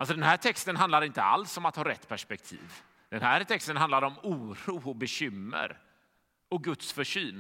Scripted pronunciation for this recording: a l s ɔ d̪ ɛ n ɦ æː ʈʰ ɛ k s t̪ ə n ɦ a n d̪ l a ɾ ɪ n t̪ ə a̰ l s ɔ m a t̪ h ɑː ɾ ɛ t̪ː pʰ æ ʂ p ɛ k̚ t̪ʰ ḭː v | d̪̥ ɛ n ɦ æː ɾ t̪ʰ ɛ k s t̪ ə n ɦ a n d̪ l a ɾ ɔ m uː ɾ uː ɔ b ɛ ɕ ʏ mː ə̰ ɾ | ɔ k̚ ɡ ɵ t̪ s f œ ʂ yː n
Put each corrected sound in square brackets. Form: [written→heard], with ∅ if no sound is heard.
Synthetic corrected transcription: a l s ɔ d̪ ɛ n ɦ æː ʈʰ ɛ k s t̪ ə n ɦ a n d̪ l a ɾ ɪ n t̪ ə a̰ l s ɔ m a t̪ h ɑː ɾ ɛ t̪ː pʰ æ ʂ p ɛ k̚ t̪ʰ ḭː v | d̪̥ ɛ n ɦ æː ɾ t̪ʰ ɛ k s t̪ ə n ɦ a n d̪ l a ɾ ɔ m uː ɾ uː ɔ b ɛ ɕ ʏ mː ə̰ ɾ | ɔ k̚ ɡ ɵ t̪ s f œ ʂ yː n